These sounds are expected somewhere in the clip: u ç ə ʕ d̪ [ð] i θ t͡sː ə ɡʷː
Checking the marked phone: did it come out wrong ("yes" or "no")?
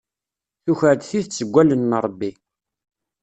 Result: yes